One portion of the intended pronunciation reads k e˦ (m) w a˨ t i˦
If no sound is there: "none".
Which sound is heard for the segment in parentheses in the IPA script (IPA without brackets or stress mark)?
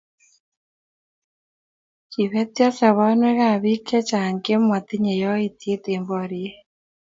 m